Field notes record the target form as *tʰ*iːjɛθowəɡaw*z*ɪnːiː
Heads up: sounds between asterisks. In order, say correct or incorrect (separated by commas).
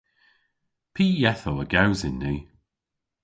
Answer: incorrect, correct